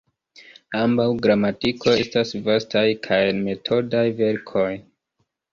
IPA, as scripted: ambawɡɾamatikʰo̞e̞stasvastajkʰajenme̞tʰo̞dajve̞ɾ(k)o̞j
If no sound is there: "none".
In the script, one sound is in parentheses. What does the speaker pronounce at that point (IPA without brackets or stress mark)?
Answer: kʰ